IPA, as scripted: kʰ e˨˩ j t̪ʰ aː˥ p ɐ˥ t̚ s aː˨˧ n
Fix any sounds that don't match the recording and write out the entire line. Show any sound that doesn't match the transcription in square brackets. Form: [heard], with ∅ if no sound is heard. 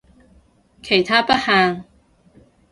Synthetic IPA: kʰ e˨˩ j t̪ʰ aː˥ p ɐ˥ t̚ [h] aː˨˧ [ŋ]